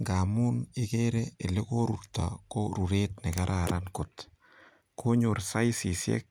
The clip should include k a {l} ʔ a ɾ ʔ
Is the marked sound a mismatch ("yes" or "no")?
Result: yes